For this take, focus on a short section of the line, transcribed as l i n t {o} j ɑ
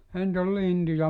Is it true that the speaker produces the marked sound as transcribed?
no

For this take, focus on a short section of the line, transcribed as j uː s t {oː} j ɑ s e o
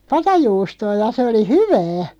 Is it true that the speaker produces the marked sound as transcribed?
yes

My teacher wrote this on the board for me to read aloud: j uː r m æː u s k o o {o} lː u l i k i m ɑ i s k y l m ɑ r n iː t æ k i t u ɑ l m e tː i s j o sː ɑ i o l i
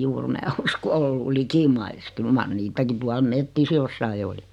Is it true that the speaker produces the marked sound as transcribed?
yes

